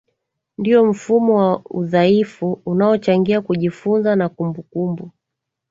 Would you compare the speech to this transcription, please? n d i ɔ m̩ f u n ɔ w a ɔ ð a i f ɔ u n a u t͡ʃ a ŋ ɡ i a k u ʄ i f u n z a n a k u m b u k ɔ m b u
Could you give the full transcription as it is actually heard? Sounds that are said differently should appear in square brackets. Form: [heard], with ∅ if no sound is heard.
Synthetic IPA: n d i ɔ m̩ f u [m] ɔ w a [u] ð a i f [u] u n a [ɔ] t͡ʃ a ŋ ɡ i a k u ʄ i f u n z a n a k u m b u k [u] m b u